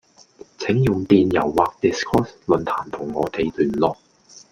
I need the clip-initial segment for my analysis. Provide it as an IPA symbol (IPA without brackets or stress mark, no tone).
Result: t͡sʰ